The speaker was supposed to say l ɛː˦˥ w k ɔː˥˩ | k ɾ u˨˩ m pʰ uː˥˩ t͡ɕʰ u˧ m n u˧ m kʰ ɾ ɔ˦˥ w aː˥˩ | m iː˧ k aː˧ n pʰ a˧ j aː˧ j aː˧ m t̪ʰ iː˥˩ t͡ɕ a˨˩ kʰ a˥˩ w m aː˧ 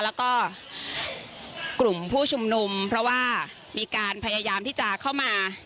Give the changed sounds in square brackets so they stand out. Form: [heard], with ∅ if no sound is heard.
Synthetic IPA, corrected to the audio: l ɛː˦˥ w k ɔː˥˩ | k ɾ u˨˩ m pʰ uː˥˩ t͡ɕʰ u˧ m n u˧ m [pʰ] ɾ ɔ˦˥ w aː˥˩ | m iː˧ k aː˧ n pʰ a˧ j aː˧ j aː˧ m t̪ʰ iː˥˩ t͡ɕ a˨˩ kʰ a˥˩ w m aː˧